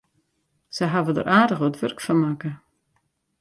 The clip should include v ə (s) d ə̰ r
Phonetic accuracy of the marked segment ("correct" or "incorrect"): incorrect